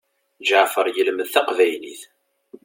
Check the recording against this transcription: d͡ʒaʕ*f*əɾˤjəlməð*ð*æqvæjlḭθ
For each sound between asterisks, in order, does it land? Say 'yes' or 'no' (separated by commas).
yes, no